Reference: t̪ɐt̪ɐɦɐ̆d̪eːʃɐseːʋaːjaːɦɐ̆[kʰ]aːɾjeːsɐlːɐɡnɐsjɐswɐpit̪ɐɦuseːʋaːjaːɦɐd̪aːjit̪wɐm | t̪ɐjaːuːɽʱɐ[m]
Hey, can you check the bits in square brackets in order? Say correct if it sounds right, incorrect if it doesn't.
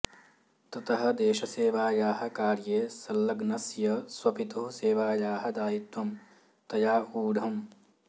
incorrect: k, correct

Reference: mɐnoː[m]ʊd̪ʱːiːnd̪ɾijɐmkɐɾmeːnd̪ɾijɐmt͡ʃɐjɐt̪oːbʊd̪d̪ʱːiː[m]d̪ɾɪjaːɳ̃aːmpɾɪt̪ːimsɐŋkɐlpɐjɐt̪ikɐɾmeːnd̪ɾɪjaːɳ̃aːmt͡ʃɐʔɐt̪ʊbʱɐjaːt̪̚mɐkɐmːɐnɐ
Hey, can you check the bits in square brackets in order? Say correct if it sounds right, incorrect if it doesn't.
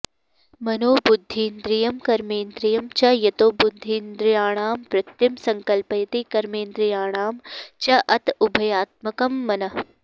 incorrect: b, incorrect: n

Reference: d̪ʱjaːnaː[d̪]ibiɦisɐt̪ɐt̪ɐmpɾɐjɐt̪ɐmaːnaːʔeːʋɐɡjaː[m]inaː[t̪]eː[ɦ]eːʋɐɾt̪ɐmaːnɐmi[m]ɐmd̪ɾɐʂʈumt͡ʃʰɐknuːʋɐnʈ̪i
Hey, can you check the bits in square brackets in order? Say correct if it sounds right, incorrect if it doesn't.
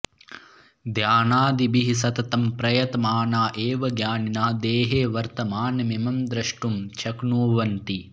correct, incorrect: n, incorrect: d̪, correct, correct

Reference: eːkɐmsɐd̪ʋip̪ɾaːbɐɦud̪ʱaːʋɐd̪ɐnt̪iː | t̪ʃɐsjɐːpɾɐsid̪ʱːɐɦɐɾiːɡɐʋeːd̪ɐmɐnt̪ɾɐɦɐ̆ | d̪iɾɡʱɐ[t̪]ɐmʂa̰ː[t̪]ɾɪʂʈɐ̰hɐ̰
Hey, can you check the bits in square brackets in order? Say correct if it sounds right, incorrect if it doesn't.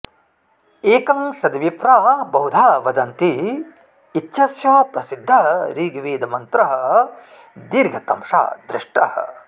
correct, incorrect: d̪

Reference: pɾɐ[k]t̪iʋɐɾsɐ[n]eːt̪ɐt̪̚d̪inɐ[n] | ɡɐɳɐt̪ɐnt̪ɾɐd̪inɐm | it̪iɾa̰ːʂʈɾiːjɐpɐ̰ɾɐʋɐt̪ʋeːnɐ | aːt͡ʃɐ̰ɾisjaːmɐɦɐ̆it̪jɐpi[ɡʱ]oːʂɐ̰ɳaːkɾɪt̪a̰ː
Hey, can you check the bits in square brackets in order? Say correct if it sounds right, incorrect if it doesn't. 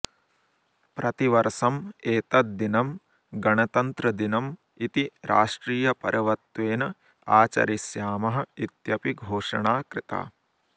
incorrect: none, incorrect: m, incorrect: m, correct

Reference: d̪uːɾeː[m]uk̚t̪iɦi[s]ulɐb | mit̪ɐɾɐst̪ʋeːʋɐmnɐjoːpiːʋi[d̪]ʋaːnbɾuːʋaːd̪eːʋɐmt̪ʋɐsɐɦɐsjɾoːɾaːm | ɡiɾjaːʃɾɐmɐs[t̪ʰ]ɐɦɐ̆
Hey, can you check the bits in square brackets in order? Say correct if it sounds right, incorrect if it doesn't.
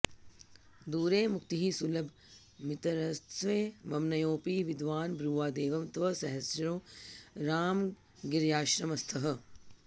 correct, correct, correct, correct

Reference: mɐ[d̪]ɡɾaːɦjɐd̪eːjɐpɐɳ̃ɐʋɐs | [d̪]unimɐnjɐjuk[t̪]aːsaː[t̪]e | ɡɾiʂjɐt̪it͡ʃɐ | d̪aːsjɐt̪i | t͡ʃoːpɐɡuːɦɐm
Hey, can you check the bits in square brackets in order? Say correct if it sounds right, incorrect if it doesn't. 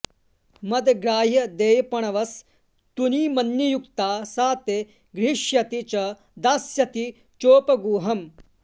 correct, incorrect: t̪, correct, correct

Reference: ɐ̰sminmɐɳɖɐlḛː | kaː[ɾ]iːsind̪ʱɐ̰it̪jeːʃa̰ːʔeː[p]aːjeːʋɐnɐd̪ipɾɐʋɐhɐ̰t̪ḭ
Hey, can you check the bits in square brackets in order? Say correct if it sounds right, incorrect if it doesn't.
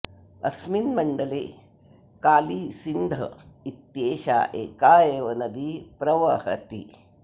incorrect: l, incorrect: k

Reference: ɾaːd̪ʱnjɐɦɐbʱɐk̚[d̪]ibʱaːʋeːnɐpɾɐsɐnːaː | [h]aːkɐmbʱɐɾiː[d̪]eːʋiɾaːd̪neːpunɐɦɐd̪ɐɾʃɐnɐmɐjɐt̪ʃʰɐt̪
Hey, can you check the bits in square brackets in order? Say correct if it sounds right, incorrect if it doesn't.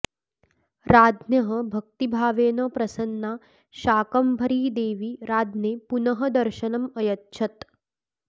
incorrect: t̪, incorrect: ʃ, correct

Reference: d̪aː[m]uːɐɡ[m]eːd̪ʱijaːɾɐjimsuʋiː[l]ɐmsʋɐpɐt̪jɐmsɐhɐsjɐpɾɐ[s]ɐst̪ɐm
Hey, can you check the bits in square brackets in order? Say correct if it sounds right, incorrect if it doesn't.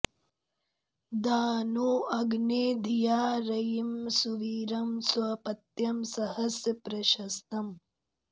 incorrect: n, incorrect: n, incorrect: ɾ, incorrect: ʃ

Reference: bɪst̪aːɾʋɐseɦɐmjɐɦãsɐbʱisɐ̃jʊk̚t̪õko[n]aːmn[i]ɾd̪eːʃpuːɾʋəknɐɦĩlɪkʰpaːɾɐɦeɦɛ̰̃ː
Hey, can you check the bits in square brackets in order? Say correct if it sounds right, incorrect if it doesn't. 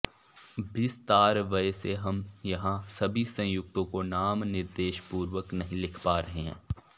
correct, incorrect: ɪ

